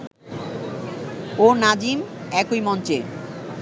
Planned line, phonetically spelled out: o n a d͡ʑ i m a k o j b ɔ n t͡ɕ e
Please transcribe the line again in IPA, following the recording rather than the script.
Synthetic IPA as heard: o n a d͡ʑ i m ɛ k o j m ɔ n t͡ɕ e